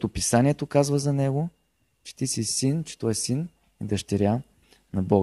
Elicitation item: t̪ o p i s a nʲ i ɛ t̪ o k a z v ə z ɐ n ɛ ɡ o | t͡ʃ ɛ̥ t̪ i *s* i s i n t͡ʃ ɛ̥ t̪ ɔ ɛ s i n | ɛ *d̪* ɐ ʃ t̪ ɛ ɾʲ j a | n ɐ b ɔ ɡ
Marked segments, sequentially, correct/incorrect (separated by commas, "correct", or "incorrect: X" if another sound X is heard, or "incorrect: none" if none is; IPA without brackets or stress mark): correct, correct